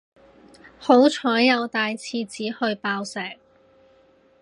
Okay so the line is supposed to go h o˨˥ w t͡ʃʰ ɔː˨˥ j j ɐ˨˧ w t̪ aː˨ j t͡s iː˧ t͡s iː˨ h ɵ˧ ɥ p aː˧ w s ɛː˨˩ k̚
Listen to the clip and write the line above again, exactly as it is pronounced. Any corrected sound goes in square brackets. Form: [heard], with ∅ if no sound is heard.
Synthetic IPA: h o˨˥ w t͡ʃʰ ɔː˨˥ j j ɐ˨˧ w t̪ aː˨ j [t͡sʰ] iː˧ t͡s [iː˨˥] h ɵ˧ ɥ p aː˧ w s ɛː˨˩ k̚